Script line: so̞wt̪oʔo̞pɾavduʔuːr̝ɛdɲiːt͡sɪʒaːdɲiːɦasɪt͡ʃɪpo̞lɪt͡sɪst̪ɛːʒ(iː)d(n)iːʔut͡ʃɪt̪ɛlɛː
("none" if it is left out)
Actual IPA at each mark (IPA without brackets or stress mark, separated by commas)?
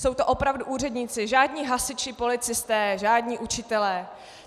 aː, ɲ